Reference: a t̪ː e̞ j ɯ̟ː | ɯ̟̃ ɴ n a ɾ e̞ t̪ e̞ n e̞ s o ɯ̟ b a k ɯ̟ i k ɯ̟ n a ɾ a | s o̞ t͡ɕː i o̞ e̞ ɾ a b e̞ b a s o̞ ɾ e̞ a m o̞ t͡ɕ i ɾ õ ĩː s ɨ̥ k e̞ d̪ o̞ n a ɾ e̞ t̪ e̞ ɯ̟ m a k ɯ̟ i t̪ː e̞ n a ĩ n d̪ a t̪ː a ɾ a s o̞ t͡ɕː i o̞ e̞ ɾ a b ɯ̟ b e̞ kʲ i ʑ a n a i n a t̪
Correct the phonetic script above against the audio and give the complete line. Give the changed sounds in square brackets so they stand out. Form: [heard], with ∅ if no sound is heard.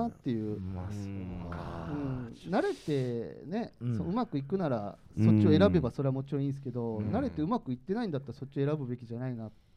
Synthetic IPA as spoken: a t̪ː e̞ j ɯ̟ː | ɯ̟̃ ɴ n a ɾ e̞ t̪ e̞ n e̞ s o ɯ̟ [m] a k ɯ̟ i k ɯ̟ n a ɾ a | s o̞ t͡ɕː i o̞ e̞ ɾ a b e̞ b a s o̞ ɾ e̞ a m o̞ t͡ɕ i ɾ õ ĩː s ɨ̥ k e̞ d̪ o̞ n a ɾ e̞ t̪ e̞ ɯ̟ m a k ɯ̟ i t̪ː e̞ n a ĩ n d̪ a t̪ː a ɾ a s o̞ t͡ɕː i o̞ e̞ ɾ a b ɯ̟ b e̞ kʲ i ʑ a n a i n a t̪